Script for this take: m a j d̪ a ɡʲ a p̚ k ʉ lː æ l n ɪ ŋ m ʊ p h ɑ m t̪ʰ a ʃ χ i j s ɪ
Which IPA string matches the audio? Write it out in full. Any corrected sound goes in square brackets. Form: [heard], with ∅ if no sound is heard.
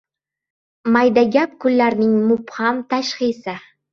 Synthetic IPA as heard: m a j d̪ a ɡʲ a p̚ k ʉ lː æ [ɾ] n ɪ ŋ m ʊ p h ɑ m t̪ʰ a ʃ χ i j s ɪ